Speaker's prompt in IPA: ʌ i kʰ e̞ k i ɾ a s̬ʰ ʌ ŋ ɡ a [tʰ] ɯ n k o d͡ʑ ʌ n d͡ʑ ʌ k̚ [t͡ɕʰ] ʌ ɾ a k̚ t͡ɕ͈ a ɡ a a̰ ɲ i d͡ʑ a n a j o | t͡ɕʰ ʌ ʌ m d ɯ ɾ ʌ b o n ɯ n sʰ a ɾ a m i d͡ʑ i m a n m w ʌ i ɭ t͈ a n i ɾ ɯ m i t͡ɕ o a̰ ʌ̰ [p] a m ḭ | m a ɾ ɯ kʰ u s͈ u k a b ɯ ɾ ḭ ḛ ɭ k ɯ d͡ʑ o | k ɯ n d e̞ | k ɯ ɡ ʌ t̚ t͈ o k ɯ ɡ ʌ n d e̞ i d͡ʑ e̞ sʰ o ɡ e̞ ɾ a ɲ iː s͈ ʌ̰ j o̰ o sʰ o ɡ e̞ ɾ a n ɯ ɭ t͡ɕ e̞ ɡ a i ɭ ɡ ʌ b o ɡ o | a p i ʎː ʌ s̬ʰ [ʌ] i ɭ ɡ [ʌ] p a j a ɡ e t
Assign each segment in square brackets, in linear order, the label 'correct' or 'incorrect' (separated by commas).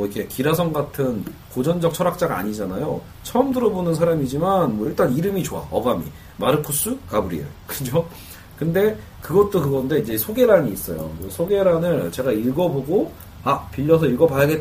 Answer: correct, correct, incorrect, correct, correct